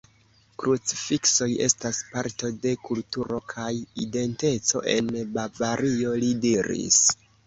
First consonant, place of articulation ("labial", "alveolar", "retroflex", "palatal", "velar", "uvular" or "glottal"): velar